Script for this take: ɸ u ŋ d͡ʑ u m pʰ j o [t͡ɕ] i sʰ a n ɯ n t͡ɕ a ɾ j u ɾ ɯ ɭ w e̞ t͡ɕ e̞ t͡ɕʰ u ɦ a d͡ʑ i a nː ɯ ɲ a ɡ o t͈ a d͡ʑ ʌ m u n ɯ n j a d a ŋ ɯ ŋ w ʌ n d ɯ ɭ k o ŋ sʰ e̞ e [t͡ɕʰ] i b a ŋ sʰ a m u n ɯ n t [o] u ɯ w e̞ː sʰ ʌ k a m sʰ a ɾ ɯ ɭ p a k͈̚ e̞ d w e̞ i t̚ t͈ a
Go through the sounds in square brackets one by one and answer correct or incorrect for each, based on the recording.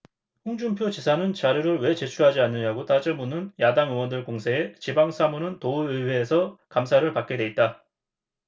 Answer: correct, incorrect: t͡ɕ, correct

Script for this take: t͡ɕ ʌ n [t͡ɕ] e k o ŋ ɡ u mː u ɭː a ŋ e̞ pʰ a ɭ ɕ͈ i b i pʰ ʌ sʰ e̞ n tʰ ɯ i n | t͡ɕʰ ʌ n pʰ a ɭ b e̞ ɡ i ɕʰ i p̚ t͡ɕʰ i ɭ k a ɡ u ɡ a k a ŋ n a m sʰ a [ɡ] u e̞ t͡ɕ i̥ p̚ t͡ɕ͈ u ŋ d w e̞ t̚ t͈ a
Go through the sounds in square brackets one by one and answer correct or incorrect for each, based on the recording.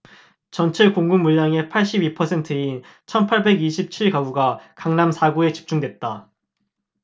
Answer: incorrect: t͡ɕʰ, correct

